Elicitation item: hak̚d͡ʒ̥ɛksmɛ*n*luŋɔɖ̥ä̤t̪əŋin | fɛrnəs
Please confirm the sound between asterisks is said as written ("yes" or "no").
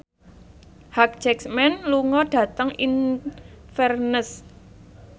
yes